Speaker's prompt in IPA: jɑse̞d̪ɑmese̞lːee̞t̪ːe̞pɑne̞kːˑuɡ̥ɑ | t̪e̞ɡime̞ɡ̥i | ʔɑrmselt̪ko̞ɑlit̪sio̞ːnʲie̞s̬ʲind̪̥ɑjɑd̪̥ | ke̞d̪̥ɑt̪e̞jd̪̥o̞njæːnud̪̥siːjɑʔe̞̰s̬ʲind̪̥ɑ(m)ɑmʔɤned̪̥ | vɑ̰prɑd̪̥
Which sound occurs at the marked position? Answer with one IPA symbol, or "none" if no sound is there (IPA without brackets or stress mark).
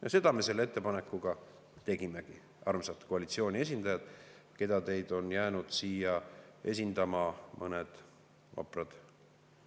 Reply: m